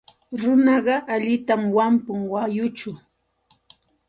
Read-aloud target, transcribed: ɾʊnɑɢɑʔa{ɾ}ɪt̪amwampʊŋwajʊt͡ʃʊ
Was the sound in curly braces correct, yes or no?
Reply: no